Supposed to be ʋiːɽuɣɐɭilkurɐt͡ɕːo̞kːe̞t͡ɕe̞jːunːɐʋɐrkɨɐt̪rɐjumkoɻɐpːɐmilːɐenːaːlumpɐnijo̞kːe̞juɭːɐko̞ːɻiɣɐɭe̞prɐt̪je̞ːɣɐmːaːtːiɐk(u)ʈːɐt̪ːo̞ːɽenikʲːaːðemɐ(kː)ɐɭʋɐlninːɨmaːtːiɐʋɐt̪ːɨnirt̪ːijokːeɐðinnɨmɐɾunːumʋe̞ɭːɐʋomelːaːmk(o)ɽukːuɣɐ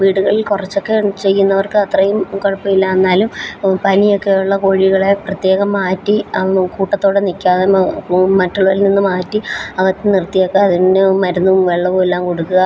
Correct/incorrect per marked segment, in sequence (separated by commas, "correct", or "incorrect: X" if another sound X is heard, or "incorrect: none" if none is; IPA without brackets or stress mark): incorrect: uː, incorrect: tː, correct